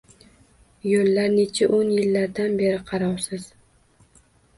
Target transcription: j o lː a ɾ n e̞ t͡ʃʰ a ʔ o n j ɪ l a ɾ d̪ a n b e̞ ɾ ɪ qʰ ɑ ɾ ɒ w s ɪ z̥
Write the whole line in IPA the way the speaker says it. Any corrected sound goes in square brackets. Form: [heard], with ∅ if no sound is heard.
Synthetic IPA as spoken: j o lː a ɾ n e̞ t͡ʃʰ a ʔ o n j ɪ [lː] a ɾ d̪ a n b e̞ ɾ ɪ qʰ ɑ ɾ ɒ w s ɪ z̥